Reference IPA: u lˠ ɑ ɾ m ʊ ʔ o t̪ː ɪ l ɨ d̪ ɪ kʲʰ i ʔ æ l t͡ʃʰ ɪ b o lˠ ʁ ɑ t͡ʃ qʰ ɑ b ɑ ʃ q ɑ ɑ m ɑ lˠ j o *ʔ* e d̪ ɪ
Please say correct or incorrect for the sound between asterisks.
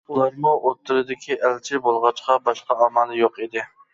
incorrect